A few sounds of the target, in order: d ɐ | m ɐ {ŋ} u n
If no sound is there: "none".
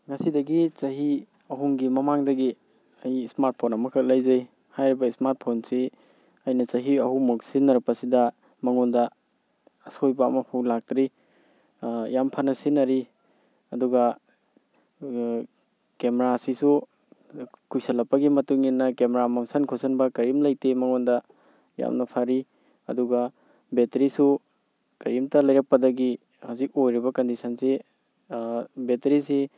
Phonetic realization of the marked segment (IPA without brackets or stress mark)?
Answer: ŋ